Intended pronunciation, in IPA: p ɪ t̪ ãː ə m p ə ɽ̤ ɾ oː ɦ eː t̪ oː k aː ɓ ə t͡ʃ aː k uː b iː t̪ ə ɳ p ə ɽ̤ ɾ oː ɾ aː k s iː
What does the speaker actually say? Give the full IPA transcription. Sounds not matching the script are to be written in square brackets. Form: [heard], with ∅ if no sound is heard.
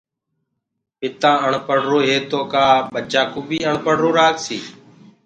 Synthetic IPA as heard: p ɪ t̪ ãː ə [ɳ] p ə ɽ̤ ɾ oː ɦ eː t̪ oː k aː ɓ ə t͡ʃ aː k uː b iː [∅] ə ɳ p ə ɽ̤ ɾ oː ɾ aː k s iː